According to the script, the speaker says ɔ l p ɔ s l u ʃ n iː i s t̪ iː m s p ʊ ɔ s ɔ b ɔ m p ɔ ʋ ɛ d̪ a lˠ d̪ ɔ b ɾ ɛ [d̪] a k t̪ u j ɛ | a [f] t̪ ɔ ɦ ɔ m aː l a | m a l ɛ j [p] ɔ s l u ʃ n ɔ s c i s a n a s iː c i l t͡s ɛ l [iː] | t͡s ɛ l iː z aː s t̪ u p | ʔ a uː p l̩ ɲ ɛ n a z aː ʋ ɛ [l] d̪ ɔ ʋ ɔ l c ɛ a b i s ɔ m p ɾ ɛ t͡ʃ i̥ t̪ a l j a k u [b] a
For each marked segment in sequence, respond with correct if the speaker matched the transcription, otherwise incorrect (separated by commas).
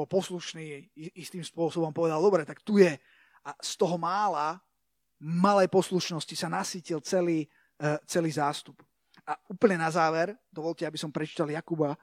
incorrect, incorrect, correct, correct, incorrect, correct